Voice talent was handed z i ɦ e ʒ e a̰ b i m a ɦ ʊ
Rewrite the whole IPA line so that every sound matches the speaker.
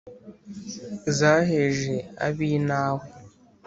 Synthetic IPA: z a ɦ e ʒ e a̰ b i n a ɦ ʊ